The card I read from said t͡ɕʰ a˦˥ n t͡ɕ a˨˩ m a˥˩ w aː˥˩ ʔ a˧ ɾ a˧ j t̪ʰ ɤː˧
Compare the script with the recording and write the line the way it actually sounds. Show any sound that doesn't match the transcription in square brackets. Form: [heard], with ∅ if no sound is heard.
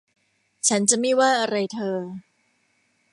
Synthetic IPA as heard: t͡ɕʰ a˦˥ n t͡ɕ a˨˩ m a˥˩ w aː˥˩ ʔ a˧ ɾ a˧ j t̪ʰ ɤː˧